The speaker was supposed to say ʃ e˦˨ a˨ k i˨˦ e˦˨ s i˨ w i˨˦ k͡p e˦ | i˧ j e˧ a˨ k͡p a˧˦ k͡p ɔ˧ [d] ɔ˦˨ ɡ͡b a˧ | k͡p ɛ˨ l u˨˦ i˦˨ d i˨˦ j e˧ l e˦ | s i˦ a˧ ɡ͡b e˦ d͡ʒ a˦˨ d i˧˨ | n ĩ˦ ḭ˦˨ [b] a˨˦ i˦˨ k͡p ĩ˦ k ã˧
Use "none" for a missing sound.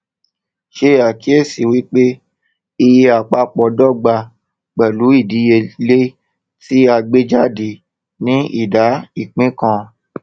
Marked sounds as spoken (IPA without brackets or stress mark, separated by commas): d, d